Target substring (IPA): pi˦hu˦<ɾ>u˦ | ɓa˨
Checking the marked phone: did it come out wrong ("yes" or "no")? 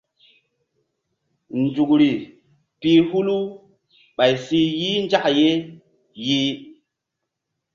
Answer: yes